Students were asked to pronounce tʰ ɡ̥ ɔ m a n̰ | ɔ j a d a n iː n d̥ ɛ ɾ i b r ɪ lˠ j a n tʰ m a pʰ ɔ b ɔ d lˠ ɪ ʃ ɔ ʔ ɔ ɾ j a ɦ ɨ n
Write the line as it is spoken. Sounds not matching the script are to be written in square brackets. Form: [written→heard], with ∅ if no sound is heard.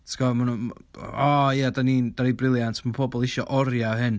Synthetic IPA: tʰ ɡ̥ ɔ m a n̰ | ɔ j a d a n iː n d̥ [ɛ→a] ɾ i b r ɪ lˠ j a n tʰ m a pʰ ɔ b ɔ [d→∅] lˠ ɪ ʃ ɔ ʔ ɔ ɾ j a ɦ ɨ n